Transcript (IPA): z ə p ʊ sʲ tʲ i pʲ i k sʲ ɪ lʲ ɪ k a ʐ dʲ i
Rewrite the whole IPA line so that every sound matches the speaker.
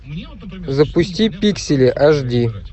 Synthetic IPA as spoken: z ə p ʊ sʲ tʲ i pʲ i k sʲ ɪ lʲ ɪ ʔ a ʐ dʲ i